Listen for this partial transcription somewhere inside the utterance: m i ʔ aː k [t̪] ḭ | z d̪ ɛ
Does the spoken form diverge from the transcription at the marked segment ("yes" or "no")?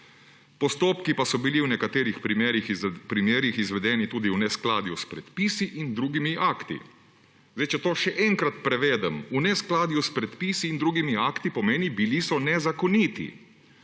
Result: no